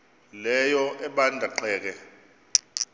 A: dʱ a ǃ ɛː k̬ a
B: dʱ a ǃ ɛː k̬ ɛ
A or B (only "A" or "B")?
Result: B